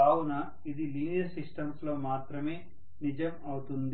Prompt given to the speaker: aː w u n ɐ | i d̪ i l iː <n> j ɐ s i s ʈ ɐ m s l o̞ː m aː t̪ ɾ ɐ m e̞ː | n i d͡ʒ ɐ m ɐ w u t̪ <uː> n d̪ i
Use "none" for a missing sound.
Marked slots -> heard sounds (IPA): n, u

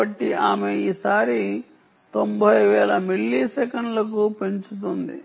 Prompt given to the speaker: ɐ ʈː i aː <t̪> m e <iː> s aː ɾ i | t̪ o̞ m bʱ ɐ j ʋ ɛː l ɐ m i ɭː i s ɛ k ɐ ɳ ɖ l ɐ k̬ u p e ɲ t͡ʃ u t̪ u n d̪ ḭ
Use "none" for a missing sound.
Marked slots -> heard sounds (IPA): none, iː

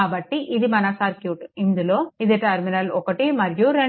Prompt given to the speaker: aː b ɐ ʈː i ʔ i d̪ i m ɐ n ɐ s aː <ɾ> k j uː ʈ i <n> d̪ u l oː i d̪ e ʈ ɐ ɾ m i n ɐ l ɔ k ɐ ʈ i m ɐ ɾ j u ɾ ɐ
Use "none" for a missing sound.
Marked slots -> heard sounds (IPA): ɾ, n

